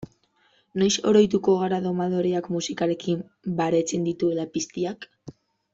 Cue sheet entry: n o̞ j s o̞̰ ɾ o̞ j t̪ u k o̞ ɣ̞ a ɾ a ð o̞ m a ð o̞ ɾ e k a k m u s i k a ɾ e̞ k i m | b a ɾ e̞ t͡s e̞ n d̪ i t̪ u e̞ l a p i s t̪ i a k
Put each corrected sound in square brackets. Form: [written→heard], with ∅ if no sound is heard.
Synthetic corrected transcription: n o̞ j s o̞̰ ɾ o̞ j t̪ u k o̞ ɣ̞ a ɾ a ð o̞ m a ð o̞ ɾ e [k→∅] a k m u s i k a ɾ e̞ k i m | b a ɾ e̞ t͡s e̞ n d̪ i t̪ u e̞ l a p i s t̪ i a k